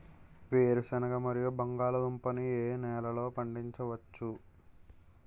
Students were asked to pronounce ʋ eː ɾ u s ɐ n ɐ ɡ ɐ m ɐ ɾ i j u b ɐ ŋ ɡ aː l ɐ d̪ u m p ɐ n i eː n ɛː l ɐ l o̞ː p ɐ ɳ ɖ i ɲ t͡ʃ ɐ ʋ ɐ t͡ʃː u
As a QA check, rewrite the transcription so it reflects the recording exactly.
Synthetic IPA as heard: ʋ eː ɾ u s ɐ n ɐ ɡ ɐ m ɐ ɾ i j u b ɐ ŋ ɡ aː l ɐ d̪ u m p ɐ n i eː n ɛː l ɐ l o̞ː p ɐ ɳ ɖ i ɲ t͡ʃ ɐ ʋ ɐ t͡ʃː u